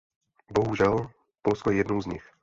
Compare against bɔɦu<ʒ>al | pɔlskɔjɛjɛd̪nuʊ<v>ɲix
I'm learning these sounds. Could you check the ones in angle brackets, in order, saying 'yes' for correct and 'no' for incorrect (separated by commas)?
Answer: yes, no